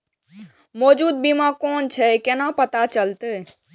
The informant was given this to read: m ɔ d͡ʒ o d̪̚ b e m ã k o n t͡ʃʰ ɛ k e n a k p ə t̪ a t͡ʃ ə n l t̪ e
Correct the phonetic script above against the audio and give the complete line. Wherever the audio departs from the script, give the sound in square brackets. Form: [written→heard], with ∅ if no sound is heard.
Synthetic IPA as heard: m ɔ d͡ʒ [o→u] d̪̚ b [e→i] m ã k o n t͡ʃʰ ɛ k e n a [k→∅] p ə t̪ a t͡ʃ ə [n→∅] l t̪ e